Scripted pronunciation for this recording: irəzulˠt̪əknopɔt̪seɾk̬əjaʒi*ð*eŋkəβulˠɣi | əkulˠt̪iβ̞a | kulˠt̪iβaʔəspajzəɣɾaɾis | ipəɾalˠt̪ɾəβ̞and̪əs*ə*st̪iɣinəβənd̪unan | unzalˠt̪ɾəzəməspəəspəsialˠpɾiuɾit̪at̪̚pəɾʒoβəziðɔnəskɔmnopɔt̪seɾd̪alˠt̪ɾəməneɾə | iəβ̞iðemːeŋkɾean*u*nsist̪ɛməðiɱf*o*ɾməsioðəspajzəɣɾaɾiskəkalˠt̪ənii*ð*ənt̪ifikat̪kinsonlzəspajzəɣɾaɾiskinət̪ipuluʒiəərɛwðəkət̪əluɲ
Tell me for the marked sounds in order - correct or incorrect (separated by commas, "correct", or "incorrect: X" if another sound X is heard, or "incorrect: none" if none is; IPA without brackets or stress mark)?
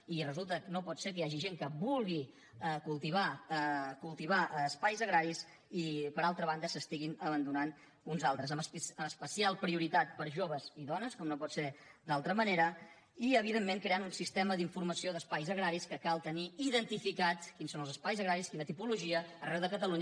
incorrect: ʒ, correct, correct, incorrect: u, correct